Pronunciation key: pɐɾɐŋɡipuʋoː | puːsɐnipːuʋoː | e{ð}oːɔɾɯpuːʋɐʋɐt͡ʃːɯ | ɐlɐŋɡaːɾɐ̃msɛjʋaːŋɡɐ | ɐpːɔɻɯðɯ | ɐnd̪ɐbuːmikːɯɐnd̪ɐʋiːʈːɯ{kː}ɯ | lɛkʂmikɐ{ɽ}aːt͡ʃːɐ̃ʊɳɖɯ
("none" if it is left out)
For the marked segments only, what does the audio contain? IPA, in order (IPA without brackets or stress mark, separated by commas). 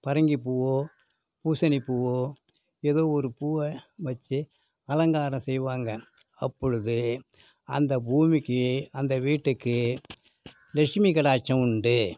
ð, kː, ɽ